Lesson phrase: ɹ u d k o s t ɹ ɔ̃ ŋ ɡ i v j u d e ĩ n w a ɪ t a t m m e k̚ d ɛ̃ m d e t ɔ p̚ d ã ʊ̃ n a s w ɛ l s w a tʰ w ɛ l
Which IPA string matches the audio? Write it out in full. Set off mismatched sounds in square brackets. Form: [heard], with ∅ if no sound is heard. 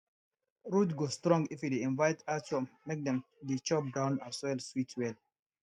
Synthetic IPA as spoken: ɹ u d [ɡ] o s t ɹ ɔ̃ ŋ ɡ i [f] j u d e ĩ n [v] a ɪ t a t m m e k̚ d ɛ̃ m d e [t͡ʃ] ɔ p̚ d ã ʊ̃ n a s w ɛ l s w [i] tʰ w ɛ l

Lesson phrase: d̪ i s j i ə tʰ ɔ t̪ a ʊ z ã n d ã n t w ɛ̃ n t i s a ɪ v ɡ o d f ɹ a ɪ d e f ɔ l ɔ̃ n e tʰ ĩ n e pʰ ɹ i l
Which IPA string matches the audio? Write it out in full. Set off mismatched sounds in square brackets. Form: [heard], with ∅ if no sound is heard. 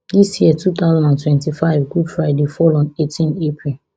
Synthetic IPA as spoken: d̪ i s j i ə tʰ [u] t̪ a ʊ z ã n d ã n t w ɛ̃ n t i [f] a ɪ v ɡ [u] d f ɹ a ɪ d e f ɔ l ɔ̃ n e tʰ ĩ n e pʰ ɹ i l

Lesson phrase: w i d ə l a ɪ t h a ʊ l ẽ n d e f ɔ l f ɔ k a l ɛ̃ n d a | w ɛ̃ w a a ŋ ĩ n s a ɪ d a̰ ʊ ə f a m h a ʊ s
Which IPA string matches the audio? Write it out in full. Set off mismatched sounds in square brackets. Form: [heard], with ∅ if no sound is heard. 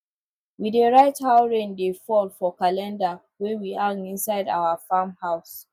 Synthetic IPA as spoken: w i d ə [ɹ] a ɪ t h a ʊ [ɹ] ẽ n d e f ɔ l f ɔ k a l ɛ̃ n d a | w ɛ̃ w [i] a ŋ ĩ n s a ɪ d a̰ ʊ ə f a m h a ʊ s

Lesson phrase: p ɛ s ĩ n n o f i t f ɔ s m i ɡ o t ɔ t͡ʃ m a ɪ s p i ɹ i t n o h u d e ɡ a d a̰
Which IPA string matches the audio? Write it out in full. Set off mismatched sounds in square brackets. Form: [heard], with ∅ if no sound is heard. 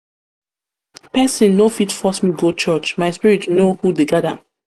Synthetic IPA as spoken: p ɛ s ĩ n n o f i t f ɔ s m i ɡ o [t͡ʃ] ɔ t͡ʃ m a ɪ s p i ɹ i t n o h u d e ɡ a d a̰

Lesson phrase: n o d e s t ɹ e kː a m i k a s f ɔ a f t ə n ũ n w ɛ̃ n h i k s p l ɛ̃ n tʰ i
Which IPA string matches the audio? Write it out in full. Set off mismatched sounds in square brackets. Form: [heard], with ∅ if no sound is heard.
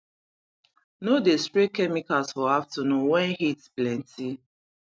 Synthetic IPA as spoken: n o d e s t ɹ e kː [ɛ] m i k a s f ɔ a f t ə n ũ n w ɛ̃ n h i [t] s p l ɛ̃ n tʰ i

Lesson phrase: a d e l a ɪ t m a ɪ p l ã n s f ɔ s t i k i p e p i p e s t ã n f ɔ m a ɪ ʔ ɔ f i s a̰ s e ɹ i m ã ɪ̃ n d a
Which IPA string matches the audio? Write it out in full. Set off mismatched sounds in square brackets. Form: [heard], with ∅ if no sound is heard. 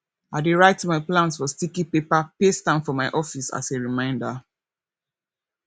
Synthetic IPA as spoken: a d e [ɹ] a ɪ t m a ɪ p l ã n s f ɔ s t i k i p e p [a] p e s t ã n f ɔ m a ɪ ʔ ɔ f i s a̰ s e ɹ i m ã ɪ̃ n d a

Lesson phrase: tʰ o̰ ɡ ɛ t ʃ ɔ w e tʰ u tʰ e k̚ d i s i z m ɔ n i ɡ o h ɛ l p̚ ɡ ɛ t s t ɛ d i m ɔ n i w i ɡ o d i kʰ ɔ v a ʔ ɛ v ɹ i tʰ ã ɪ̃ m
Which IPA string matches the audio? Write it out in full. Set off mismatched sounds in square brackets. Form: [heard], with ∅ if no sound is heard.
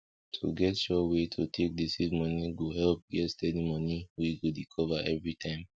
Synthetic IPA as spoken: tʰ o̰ ɡ ɛ t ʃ ɔ w e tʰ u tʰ e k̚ d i s i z m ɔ n i ɡ o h ɛ l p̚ ɡ ɛ t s t ɛ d i m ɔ n i w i ɡ o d i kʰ ɔ v a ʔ ɛ v ɹ i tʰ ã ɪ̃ m

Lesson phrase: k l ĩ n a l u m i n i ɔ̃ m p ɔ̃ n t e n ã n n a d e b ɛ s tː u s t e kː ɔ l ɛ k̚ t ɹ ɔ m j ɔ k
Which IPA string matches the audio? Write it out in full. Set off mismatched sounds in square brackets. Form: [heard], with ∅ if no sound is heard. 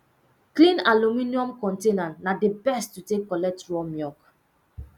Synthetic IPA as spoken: k l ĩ n a l u m i n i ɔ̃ m [k] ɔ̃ n t e n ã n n a d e b ɛ s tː u [∅] t e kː ɔ l ɛ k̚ t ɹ ɔ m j ɔ k

